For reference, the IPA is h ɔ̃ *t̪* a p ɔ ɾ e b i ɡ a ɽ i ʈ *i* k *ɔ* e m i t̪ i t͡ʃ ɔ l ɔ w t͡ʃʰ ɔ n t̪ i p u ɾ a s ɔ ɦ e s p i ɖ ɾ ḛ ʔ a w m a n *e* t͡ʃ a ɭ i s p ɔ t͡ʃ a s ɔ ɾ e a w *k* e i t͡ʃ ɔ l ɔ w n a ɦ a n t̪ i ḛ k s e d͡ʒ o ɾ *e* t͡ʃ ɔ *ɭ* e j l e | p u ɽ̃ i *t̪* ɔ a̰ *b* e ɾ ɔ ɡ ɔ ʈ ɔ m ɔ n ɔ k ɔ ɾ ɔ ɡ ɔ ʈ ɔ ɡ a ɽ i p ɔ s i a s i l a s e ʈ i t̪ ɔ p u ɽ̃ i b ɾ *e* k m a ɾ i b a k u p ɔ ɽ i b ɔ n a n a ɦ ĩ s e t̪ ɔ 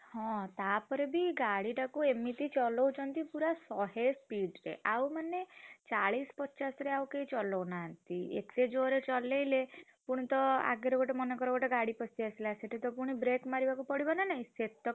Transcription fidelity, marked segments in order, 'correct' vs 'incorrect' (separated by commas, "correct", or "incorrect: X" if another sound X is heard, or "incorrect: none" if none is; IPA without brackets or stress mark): correct, incorrect: a, incorrect: u, correct, correct, correct, incorrect: l, correct, incorrect: ɡ, correct